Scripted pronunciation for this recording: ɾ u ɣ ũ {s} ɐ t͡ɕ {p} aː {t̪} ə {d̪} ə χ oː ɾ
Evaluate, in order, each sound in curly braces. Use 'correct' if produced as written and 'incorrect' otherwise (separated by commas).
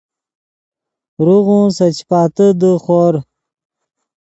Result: correct, correct, correct, correct